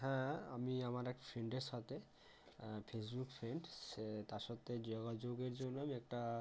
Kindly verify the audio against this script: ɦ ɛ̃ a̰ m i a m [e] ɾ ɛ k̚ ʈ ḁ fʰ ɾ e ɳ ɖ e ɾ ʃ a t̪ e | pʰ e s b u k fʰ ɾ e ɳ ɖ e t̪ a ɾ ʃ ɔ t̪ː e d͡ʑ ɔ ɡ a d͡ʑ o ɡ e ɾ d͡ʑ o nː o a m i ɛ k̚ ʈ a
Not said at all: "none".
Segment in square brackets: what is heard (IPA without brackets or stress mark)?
a